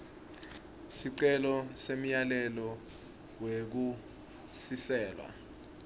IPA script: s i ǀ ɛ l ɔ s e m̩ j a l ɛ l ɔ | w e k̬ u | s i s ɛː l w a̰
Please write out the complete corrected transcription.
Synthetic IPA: s i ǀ ɛ l ɔ s e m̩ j a l ɛ l ɔ | w e k̬ u | s i s ɛː l w a̰